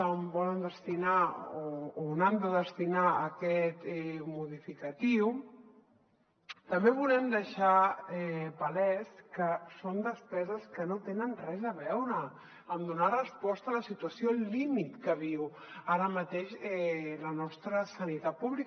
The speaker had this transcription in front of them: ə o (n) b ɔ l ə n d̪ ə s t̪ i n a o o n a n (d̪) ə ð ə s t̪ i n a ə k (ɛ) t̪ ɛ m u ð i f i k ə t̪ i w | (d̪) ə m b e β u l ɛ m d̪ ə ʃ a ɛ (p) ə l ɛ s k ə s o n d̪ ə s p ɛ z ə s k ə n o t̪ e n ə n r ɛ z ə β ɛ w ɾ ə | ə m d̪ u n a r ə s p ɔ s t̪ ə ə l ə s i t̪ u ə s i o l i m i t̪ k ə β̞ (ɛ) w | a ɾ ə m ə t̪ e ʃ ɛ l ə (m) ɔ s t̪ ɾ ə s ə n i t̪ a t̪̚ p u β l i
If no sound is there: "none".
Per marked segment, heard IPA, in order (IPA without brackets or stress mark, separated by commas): m, d̪, ɛ, t̪, p, i, n